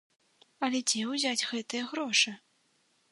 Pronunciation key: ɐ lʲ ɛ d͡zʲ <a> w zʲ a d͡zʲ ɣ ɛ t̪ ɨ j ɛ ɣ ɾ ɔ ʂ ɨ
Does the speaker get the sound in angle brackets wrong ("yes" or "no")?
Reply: yes